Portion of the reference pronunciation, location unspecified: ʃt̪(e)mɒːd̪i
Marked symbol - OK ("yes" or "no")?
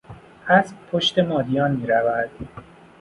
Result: yes